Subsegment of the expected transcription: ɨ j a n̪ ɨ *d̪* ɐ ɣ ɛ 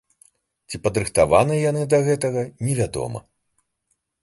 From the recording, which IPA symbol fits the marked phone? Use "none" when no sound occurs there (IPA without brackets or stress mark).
d̪